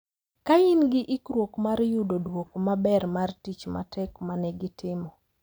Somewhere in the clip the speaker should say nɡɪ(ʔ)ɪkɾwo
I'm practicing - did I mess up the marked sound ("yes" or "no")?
no